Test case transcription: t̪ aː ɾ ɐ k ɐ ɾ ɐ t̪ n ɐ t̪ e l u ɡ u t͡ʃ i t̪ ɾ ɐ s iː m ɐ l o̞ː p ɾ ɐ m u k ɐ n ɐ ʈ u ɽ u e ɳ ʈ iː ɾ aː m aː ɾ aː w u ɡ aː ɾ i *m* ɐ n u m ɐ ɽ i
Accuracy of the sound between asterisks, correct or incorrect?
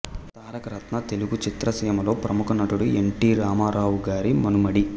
correct